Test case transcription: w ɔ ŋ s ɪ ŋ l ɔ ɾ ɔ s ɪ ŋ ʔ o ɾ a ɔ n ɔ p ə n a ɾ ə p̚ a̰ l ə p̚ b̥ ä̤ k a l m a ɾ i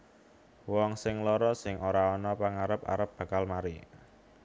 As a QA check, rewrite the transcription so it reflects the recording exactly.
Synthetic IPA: w ɔ ŋ s ɪ ŋ l ɔ ɾ ɔ s ɪ ŋ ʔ o ɾ a ɔ n ɔ p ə ŋ a ɾ ə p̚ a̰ ɾ ə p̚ b̥ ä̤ k a l m a ɾ i